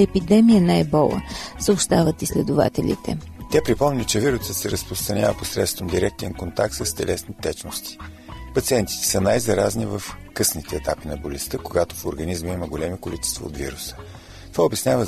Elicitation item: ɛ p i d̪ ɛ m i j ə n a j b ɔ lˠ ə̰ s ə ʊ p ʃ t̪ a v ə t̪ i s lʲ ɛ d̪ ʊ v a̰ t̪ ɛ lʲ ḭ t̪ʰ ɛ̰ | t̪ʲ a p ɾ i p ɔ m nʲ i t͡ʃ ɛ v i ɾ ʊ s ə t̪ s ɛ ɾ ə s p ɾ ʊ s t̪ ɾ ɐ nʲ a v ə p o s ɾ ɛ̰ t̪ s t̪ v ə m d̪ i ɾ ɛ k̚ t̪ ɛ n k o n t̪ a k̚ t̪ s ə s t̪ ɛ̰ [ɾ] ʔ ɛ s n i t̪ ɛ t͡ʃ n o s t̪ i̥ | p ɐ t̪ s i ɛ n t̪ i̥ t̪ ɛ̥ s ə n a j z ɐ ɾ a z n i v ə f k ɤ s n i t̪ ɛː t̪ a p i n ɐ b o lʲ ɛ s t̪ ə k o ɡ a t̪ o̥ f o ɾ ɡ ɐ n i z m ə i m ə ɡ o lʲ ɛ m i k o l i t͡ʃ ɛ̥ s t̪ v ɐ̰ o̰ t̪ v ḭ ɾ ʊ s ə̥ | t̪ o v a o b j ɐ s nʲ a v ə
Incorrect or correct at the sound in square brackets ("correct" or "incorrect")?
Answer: incorrect